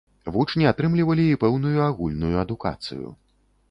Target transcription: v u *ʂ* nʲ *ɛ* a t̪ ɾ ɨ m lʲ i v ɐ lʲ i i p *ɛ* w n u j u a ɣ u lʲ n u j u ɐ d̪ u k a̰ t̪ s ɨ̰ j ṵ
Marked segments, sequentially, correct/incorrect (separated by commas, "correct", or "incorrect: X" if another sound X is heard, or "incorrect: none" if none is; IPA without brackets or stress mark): incorrect: t͡ʂ, incorrect: i, correct